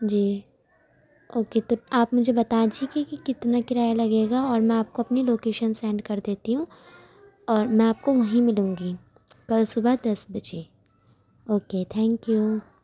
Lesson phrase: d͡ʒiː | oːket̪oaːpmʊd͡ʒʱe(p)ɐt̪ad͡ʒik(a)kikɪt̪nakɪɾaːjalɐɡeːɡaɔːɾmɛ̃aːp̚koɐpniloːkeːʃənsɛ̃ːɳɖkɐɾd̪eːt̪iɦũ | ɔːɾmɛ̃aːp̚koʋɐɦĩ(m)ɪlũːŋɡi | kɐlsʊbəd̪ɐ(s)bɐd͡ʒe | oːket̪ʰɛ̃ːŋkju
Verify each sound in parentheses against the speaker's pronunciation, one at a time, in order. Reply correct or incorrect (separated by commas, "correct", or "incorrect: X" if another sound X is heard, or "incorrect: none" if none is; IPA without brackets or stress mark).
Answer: incorrect: b, incorrect: i, correct, correct